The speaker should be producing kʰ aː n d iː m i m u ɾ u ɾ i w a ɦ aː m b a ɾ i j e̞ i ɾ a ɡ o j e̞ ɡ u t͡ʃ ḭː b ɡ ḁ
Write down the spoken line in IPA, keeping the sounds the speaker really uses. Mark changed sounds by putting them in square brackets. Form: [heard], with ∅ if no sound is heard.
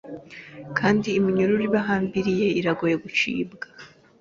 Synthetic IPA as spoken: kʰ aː n d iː m i [ɲ] u ɾ u ɾ i [β] a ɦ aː m b [i] ɾ i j e̞ i ɾ a ɡ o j e̞ ɡ u t͡ʃ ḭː b ɡ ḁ